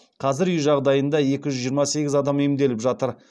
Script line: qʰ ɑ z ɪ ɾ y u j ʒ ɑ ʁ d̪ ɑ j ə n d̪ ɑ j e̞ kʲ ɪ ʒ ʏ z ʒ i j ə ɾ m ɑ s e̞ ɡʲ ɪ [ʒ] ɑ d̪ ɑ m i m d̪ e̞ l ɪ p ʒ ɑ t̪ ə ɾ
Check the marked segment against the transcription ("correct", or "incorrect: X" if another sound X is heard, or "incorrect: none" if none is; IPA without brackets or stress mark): incorrect: z